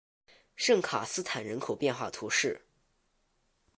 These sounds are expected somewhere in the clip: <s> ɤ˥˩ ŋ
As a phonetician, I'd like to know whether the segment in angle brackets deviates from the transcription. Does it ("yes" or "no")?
yes